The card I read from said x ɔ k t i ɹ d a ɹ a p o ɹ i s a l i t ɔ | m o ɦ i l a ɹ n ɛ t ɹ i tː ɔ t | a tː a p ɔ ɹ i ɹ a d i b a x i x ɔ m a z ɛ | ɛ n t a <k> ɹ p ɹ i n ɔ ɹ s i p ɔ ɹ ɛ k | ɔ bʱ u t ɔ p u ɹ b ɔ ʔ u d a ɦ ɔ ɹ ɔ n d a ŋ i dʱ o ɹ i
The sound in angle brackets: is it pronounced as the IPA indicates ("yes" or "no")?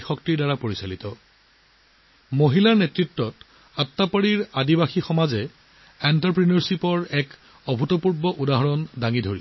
no